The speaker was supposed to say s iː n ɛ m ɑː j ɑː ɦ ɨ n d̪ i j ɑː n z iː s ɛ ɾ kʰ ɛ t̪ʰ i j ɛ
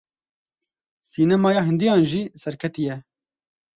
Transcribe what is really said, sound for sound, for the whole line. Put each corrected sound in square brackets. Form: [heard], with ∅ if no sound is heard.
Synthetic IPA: s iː n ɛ m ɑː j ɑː ɦ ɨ n d̪ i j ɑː n [ʒ] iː s ɛ ɾ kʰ ɛ [t̪] i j ɛ